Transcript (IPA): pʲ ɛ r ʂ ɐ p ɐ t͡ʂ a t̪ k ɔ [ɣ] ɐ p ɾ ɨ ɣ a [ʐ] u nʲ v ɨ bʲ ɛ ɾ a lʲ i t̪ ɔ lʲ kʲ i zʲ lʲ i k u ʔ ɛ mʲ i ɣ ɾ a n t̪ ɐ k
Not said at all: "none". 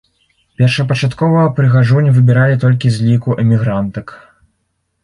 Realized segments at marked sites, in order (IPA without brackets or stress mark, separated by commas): v, ʐ